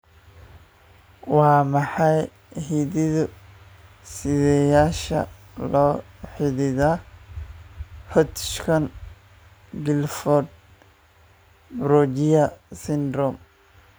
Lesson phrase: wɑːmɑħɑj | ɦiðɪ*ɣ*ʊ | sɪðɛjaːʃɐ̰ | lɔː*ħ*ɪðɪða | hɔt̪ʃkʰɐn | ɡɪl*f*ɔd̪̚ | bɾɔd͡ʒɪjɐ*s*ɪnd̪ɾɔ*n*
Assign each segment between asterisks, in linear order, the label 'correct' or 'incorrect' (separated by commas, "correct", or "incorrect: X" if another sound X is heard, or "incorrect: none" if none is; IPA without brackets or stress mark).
incorrect: ð, correct, correct, correct, incorrect: m